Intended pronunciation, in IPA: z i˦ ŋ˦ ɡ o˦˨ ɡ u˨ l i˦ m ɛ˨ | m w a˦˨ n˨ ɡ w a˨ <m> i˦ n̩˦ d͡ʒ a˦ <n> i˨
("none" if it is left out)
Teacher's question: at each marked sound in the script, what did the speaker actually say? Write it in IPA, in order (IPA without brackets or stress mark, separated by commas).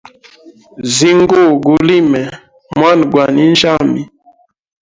n, m